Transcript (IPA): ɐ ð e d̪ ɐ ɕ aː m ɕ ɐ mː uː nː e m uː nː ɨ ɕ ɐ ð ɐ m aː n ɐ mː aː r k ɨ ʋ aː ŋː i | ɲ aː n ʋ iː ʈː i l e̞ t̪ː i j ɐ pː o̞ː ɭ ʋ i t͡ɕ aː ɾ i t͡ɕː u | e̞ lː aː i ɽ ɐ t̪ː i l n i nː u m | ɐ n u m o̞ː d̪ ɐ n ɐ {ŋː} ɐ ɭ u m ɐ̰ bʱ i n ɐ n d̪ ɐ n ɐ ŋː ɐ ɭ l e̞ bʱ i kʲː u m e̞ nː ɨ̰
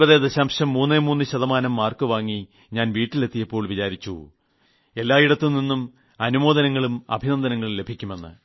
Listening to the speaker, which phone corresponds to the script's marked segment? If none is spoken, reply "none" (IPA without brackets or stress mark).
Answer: ŋː